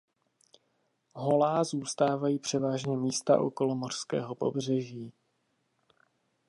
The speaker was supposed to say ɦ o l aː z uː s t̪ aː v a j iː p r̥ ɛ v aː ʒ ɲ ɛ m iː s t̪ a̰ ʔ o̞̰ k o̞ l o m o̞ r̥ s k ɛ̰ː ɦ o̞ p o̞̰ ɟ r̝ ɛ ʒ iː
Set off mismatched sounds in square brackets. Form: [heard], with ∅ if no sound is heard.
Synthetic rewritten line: ɦ o l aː z uː s t̪ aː v a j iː p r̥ ɛ v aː ʒ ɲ ɛ m iː s t̪ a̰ ʔ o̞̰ k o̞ l o m o̞ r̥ s k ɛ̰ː ɦ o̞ p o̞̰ [b] r̝ ɛ ʒ iː

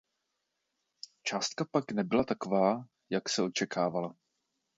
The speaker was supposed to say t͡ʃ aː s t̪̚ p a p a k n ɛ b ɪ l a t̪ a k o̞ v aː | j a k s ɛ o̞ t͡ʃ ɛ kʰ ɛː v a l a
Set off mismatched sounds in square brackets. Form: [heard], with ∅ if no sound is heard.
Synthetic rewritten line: t͡ʃ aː s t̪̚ [k] a p a k n ɛ b ɪ l a t̪ a k o̞ v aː | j a k s ɛ o̞ t͡ʃ ɛ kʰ [aː] v a l a

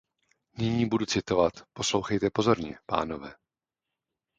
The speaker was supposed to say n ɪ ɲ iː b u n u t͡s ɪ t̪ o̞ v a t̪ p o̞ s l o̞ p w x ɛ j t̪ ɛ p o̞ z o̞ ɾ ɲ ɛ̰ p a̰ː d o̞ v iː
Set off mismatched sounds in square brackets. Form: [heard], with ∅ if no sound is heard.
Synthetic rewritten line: n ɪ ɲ iː b u [d] u t͡s ɪ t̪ o̞ v a t̪ p o̞ s l o̞ [∅] w x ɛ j t̪ ɛ p o̞ z o̞ ɾ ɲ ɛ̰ p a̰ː [n] o̞ v [ɛː]

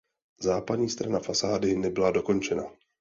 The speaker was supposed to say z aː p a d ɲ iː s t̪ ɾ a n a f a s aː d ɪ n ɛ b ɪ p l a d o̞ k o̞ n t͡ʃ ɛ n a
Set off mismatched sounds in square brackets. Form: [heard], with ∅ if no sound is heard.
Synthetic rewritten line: z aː p a d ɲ iː s t̪ ɾ a n a f a s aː d ɪ n ɛ b ɪ [∅] l a d o̞ k o̞ n t͡ʃ ɛ n a

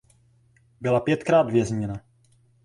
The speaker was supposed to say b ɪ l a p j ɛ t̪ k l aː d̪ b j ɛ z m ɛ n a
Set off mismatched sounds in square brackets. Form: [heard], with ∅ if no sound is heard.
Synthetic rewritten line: b ɪ l a p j ɛ t̪ k [ɾ] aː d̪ [v] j ɛ z [ɲ] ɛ n a

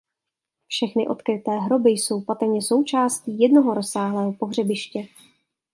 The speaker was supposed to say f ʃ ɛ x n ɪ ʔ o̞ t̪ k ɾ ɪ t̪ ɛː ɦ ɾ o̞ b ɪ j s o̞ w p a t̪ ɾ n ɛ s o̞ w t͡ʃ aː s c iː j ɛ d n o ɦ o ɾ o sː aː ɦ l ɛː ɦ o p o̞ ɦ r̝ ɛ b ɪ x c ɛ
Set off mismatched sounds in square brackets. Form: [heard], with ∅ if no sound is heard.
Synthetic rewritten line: f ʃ ɛ x n ɪ ʔ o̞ t̪ k ɾ ɪ t̪ ɛː ɦ ɾ o̞ b ɪ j s o̞ w p a t̪ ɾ [ɲ] ɛ s o̞ w t͡ʃ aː s c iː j ɛ d n o ɦ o ɾ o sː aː ɦ l ɛː ɦ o p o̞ ɦ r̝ ɛ b ɪ [ʃ] c ɛ

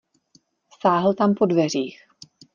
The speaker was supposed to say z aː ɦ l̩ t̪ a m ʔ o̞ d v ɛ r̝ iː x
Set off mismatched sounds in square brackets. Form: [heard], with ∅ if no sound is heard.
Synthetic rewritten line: [s] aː ɦ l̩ t̪ a m [p] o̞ d v ɛ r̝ iː x

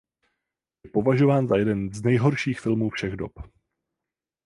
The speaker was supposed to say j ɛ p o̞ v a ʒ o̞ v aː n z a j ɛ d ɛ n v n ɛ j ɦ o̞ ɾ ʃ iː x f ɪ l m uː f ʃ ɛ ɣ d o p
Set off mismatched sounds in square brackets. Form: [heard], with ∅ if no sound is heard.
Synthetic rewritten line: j ɛ p o̞ v a ʒ o̞ v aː n z a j ɛ d ɛ n [z] n ɛ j ɦ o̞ ɾ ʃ iː x f ɪ l m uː f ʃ ɛ ɣ d o p

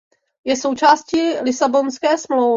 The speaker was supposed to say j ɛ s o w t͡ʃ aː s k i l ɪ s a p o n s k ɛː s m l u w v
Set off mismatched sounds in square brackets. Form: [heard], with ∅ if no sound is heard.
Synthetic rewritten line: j ɛ s o w t͡ʃ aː s [c] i l ɪ s a [b] o n s k ɛː s m l [o] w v

